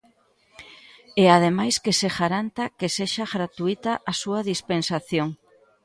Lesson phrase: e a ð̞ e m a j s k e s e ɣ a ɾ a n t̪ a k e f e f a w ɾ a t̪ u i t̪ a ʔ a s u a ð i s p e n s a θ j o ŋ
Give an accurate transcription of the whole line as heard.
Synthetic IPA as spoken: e a ð̞ e m a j s k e s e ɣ a ɾ a n t̪ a k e s e ʃ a ɣ ɾ a t̪ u i t̪ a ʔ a s u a ð i s p e n s a θ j o ŋ